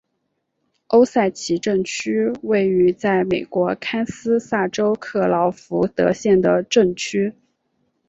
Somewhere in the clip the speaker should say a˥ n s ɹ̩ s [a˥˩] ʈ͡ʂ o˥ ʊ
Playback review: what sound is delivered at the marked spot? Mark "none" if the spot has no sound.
a˥˩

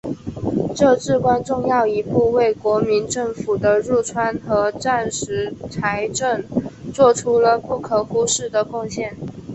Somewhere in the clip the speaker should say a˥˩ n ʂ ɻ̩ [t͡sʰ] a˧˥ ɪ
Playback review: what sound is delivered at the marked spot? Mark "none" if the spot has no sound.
t͡sʰ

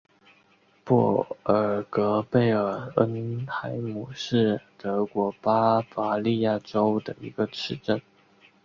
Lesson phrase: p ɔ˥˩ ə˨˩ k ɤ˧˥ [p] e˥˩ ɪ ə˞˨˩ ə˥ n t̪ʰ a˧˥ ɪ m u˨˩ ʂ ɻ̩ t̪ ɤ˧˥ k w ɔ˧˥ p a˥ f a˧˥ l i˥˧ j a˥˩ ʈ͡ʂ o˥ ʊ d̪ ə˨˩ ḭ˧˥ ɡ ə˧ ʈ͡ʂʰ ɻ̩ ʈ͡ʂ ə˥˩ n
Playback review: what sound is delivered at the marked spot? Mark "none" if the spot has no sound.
p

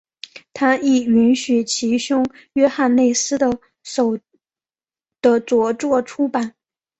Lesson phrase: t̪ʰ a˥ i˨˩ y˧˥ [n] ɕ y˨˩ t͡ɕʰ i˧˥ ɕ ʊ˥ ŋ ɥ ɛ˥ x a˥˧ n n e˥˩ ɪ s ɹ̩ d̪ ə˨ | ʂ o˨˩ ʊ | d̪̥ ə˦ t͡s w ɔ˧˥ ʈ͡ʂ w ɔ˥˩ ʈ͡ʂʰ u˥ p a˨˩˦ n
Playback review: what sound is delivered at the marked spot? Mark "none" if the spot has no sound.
n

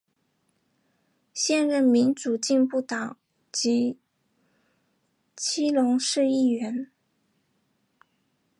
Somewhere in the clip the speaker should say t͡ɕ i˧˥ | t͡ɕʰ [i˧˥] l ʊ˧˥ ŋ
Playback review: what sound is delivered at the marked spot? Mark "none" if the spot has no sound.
i˥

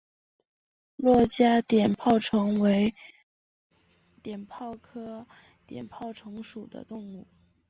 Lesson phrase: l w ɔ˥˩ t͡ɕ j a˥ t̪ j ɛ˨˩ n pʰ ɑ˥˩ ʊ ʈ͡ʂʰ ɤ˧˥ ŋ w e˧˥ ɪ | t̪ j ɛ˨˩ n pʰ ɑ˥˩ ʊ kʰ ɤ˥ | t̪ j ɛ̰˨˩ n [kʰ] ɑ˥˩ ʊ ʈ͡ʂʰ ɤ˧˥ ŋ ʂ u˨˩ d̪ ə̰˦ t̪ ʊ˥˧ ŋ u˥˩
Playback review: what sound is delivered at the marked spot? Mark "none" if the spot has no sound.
pʰ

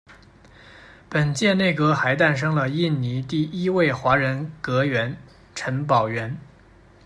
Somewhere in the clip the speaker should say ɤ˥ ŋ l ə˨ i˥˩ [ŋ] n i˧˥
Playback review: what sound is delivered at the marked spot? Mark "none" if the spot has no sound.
n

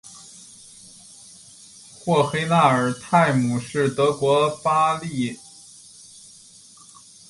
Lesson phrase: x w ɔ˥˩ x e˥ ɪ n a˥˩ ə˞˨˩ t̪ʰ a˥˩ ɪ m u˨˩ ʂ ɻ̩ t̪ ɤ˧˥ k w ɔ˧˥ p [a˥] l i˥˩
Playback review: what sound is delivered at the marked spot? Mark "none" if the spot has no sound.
a˥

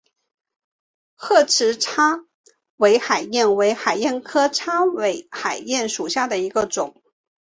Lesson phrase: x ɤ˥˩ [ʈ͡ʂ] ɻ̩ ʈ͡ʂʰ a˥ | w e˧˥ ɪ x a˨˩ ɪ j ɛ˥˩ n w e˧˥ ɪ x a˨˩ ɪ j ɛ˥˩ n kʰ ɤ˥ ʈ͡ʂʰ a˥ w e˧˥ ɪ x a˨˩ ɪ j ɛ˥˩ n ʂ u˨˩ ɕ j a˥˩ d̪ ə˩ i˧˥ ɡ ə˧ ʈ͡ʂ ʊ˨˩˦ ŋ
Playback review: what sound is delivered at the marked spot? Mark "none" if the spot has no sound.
ʈ͡ʂʰ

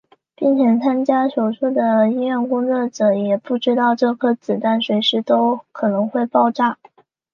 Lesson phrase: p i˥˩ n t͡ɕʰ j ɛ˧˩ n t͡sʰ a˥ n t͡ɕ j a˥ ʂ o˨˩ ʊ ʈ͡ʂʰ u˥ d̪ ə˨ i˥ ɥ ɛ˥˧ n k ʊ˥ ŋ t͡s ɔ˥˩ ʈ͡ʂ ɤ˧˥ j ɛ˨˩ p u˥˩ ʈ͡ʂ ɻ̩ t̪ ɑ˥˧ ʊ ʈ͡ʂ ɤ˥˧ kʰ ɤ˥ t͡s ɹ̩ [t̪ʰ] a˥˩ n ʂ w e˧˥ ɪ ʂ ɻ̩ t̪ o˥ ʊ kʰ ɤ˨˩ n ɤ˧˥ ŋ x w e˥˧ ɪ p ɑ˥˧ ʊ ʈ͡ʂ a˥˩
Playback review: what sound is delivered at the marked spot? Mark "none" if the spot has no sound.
t̪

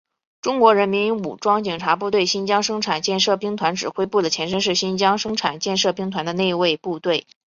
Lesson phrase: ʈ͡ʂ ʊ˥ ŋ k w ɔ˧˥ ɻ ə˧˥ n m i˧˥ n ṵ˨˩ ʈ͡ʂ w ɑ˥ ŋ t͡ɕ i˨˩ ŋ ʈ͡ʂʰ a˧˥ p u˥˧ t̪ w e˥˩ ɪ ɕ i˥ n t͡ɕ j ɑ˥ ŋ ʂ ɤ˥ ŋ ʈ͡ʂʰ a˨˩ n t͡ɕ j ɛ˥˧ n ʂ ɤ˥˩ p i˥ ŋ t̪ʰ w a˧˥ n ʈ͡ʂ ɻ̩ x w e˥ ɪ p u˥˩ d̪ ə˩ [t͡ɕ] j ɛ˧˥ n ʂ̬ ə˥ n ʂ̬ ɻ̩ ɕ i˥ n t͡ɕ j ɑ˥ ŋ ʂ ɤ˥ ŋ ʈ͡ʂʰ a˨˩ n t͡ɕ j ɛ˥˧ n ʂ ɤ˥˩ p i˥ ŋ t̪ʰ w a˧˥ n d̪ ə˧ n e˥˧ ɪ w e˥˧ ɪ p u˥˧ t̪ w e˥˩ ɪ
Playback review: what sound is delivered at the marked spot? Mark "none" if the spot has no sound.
t͡ɕʰ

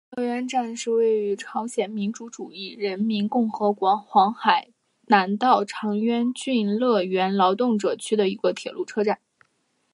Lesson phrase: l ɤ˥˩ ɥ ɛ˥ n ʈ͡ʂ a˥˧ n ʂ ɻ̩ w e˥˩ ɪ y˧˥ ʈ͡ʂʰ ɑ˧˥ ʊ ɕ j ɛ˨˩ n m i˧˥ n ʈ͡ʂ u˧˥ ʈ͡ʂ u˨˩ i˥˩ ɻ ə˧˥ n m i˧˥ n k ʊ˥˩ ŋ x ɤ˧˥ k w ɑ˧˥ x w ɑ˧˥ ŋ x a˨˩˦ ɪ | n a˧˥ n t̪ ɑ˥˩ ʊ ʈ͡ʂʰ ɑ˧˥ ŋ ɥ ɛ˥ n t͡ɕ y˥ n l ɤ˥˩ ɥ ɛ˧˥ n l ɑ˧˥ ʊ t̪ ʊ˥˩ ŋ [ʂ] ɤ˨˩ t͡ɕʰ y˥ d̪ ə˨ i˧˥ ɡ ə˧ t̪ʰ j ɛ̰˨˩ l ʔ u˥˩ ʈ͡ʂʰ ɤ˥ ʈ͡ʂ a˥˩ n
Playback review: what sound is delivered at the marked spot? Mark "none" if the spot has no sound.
ʈ͡ʂ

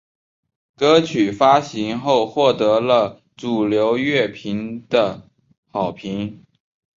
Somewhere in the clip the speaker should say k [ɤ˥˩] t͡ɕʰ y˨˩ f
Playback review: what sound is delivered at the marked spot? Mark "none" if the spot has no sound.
ɤ˥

